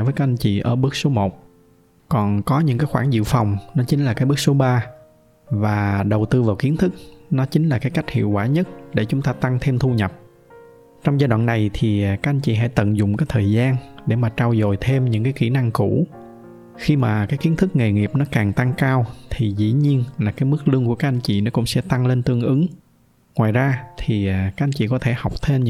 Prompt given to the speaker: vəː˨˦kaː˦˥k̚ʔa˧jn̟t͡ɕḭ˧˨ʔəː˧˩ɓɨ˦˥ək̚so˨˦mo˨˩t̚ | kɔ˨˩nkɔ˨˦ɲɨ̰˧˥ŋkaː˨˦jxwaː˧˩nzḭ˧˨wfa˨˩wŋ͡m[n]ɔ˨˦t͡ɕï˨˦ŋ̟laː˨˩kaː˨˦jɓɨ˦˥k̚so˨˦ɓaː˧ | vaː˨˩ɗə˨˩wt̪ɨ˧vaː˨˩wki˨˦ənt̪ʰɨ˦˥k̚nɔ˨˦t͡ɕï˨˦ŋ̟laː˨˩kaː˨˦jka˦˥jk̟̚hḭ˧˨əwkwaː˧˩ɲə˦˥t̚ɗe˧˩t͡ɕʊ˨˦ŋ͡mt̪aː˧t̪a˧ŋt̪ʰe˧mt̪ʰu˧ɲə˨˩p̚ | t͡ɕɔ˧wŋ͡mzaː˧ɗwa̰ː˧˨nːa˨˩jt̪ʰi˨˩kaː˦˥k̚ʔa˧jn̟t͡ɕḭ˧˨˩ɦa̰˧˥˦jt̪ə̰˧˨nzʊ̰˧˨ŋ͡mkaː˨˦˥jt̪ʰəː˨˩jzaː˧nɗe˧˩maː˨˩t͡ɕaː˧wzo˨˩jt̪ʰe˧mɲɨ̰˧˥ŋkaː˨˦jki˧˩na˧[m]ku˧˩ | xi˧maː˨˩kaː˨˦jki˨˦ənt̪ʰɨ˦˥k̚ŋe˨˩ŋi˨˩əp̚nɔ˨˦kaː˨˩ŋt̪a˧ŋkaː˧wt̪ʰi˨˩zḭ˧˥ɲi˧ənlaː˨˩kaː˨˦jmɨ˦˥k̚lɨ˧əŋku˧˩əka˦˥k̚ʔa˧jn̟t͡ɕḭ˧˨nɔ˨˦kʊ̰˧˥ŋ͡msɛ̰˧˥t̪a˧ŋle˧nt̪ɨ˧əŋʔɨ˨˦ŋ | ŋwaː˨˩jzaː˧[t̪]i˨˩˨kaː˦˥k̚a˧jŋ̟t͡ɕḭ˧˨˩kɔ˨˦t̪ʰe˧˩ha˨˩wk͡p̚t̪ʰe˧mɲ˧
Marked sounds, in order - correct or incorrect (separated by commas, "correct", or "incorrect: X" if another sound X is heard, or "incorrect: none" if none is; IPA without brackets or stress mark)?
correct, incorrect: ŋ, incorrect: t̪ʰ